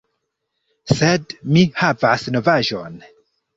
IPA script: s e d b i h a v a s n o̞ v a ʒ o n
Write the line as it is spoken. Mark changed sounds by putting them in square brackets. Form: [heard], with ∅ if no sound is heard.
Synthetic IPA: s e d [m] i h a v a s n o̞ v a ʒ o n